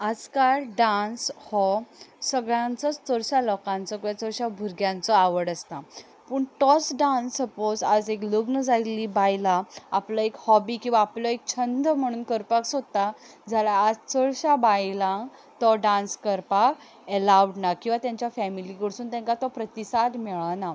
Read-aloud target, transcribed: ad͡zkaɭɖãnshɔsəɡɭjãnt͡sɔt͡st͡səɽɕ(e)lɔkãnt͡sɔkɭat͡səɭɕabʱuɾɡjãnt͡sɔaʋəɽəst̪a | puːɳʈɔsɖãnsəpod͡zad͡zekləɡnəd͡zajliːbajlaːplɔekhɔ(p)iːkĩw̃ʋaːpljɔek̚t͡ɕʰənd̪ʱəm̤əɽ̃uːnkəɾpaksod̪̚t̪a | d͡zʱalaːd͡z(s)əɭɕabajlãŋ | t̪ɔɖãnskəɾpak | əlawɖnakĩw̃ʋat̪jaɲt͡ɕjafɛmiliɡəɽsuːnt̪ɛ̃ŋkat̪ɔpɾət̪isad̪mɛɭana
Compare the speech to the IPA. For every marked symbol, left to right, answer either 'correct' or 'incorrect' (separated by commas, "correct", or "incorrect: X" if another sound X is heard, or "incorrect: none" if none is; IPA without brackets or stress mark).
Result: incorrect: a, incorrect: b, incorrect: t͡s